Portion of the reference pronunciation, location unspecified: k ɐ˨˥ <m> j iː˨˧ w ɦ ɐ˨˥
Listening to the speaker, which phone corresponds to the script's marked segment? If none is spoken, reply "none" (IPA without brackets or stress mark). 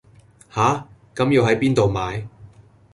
m